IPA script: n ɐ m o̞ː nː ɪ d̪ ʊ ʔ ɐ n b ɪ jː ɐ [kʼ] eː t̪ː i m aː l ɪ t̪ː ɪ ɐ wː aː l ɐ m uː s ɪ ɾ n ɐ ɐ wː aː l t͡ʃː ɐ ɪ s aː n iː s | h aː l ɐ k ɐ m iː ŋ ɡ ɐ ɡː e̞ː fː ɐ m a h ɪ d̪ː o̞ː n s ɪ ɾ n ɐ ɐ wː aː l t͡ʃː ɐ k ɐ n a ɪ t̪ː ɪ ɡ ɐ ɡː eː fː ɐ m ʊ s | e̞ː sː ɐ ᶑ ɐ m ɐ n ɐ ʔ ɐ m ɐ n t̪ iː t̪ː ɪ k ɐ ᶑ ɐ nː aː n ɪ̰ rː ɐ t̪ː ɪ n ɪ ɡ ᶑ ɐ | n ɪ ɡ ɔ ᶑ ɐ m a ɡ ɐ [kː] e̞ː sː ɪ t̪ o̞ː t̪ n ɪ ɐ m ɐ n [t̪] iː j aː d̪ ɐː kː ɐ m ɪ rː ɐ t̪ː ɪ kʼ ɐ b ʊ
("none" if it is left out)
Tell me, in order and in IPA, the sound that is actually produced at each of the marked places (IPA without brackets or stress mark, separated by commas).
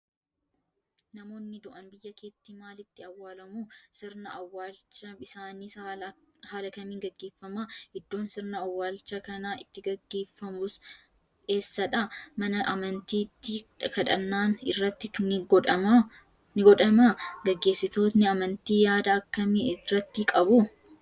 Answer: k, ɡː, t̪